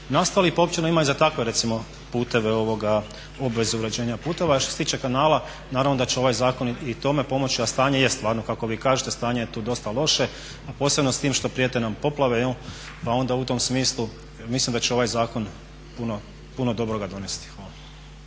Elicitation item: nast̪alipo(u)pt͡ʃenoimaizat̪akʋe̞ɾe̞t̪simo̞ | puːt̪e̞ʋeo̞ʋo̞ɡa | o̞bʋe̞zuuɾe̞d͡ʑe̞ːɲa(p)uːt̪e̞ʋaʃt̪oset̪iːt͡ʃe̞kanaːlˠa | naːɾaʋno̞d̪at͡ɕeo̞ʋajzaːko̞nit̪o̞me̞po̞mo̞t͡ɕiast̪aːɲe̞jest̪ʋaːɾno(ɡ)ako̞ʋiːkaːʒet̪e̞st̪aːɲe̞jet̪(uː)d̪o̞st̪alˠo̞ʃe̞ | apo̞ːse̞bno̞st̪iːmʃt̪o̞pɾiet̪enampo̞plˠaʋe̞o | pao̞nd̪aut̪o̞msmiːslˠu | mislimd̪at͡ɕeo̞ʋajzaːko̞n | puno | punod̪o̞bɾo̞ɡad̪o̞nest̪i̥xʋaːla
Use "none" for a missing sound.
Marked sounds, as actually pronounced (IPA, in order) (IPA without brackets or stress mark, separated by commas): o, p, k, uː